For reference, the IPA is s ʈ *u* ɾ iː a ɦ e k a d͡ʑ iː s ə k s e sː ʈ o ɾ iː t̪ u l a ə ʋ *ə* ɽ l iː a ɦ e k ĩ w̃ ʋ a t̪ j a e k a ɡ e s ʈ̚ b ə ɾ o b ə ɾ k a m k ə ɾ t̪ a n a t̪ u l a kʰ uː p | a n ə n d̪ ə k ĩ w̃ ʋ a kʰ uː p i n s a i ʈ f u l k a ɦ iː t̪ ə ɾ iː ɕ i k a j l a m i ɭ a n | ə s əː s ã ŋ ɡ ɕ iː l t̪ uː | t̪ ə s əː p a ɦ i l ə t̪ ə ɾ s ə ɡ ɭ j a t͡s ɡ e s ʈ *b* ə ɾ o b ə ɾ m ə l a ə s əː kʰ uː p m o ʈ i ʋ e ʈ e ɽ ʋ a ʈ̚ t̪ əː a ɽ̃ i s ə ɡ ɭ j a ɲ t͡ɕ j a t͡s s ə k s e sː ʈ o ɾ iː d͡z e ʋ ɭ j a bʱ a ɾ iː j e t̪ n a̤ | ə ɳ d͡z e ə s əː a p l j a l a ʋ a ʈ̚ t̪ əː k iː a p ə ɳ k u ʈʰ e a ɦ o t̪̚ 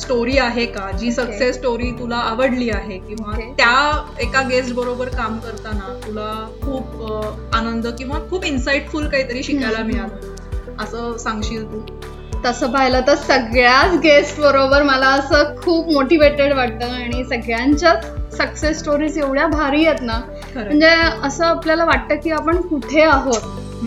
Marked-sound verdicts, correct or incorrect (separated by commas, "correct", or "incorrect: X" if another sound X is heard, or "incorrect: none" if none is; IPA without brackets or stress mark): incorrect: o, correct, correct